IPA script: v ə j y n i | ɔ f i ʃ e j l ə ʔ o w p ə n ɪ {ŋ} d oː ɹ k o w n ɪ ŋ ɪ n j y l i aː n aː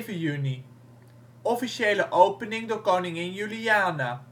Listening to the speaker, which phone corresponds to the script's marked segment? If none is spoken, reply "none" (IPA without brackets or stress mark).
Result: ŋ